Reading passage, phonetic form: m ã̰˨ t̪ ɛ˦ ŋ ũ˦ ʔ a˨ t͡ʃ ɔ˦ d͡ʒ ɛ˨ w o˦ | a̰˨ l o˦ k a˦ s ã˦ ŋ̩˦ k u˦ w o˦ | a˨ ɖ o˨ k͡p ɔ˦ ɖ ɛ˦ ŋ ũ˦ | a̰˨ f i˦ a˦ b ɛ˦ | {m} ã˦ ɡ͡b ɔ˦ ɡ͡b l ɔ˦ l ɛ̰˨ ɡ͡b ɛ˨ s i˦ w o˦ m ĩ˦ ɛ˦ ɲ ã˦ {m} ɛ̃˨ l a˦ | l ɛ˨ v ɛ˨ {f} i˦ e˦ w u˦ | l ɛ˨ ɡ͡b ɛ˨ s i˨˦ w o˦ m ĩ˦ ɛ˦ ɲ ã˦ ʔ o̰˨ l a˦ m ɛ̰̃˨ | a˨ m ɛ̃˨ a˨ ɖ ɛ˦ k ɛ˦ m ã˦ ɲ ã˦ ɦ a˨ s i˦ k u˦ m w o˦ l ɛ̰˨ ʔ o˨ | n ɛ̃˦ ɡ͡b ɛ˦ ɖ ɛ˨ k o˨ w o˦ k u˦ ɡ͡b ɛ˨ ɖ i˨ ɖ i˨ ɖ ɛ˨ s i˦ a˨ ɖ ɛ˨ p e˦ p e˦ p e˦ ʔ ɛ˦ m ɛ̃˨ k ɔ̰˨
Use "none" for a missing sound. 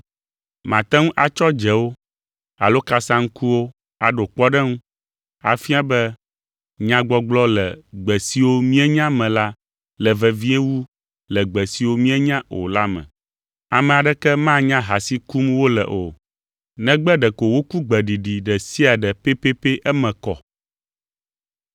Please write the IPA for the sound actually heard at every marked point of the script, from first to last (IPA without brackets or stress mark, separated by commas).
ɲ, m, v